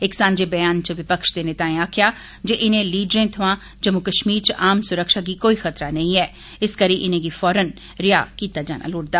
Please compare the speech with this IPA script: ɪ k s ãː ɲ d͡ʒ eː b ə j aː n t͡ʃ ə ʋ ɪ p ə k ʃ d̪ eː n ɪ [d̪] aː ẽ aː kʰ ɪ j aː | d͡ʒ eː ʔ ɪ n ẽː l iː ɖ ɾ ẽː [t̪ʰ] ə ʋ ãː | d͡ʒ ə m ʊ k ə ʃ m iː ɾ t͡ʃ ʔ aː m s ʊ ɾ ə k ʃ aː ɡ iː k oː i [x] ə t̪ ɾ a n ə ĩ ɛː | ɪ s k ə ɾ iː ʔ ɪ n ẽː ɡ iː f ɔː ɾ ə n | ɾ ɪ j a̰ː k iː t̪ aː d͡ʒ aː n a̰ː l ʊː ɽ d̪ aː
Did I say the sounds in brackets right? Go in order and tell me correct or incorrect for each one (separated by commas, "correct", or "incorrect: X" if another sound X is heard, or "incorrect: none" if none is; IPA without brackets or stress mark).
incorrect: t̪, correct, correct